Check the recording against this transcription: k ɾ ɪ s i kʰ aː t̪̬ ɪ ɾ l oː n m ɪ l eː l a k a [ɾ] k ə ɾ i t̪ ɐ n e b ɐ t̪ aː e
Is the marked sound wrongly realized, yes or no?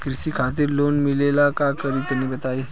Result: yes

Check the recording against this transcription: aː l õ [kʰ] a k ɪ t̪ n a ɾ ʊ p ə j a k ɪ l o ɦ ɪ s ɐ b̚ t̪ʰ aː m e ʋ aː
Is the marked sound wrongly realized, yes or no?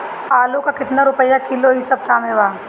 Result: yes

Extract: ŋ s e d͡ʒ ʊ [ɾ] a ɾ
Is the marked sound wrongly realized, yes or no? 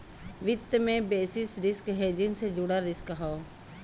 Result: yes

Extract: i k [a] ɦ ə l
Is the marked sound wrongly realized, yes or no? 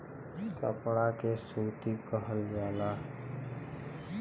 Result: yes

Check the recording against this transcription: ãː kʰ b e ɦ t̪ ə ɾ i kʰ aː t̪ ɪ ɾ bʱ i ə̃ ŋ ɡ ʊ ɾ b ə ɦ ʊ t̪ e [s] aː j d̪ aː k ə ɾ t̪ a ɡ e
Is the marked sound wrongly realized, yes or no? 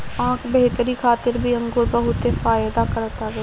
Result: yes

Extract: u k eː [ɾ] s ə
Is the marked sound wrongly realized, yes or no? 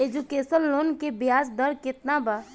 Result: yes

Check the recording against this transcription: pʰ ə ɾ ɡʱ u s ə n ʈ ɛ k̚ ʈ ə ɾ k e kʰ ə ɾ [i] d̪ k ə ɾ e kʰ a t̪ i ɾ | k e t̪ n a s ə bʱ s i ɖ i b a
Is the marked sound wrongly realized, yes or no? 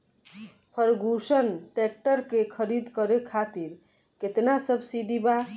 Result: no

